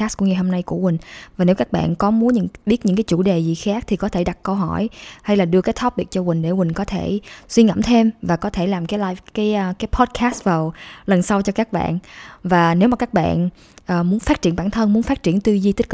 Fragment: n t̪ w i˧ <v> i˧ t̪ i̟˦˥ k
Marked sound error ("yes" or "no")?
yes